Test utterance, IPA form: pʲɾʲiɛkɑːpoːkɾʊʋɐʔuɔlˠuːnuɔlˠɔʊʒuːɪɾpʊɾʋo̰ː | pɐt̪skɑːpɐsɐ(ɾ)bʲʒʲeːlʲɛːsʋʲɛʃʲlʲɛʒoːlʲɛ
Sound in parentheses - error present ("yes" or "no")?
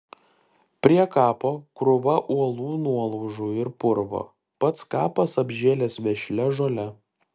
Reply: yes